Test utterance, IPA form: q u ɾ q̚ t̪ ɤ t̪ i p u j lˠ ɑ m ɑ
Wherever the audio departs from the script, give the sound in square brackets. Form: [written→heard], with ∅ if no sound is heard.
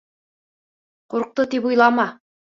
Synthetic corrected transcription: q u ɾ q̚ t̪ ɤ t̪ i p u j lˠ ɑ m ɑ